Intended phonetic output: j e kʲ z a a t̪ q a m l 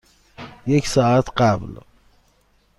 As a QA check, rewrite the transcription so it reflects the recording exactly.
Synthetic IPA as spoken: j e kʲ s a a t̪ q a b l